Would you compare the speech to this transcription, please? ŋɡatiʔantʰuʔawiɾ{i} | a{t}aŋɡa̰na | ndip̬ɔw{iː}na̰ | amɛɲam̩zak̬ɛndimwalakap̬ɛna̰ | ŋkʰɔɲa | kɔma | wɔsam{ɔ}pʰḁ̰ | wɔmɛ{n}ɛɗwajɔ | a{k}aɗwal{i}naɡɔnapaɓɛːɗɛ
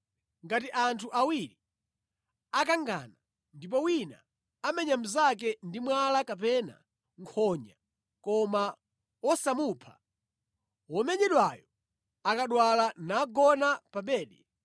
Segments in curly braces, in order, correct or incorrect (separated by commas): correct, incorrect, incorrect, incorrect, incorrect, correct, incorrect